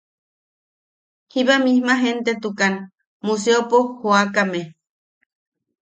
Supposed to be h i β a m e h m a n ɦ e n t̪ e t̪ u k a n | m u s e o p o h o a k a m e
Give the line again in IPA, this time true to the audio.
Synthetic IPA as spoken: h i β a m i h m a ɦ e n t̪ e t̪ u k a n | m u s e o p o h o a k a m e